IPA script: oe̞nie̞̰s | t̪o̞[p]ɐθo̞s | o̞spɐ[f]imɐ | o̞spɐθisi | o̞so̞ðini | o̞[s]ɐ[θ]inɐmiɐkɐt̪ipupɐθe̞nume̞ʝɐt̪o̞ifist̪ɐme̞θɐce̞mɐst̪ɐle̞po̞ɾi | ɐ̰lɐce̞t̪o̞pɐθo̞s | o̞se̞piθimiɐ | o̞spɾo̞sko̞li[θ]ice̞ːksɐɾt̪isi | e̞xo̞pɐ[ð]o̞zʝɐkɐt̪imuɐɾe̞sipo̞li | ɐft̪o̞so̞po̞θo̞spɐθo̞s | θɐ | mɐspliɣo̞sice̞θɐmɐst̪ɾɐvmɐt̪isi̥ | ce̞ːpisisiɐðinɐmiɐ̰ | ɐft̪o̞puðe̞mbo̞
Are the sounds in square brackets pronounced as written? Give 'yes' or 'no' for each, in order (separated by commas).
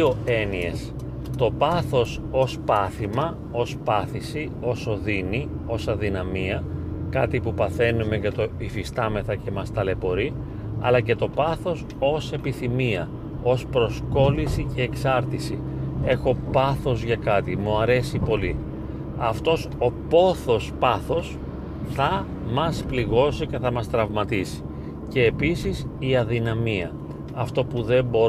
yes, no, yes, no, no, no